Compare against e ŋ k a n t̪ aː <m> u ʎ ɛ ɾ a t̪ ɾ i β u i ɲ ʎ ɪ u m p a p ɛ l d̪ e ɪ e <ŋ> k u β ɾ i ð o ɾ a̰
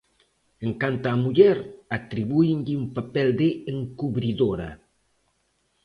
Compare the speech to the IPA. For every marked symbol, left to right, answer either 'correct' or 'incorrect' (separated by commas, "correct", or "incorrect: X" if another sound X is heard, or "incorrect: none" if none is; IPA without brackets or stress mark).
correct, correct